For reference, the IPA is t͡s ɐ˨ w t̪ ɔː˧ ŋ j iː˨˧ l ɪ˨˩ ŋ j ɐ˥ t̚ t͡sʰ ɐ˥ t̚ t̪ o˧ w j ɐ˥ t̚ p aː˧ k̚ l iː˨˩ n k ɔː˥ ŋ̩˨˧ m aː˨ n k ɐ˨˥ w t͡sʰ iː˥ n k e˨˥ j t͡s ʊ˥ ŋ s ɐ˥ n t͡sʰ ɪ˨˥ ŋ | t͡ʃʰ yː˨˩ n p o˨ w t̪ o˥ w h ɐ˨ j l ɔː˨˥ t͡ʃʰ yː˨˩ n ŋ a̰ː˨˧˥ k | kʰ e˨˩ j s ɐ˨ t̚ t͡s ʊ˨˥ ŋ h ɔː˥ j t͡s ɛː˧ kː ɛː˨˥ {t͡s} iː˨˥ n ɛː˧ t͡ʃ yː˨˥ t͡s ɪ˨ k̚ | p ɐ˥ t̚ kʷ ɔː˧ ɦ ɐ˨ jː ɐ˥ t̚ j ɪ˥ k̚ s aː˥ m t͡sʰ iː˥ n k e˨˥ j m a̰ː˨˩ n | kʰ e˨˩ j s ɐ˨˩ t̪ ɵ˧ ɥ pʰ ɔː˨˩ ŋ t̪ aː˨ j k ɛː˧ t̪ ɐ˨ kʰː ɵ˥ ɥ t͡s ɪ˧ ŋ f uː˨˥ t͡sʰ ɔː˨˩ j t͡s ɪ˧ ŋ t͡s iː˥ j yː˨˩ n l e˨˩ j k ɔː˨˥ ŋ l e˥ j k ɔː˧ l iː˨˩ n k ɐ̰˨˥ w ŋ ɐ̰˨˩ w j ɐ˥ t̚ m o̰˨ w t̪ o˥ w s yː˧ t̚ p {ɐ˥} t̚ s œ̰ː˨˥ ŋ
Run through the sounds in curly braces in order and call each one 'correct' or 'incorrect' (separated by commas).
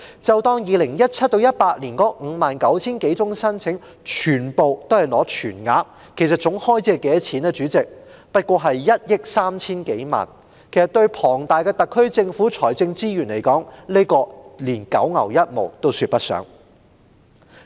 incorrect, correct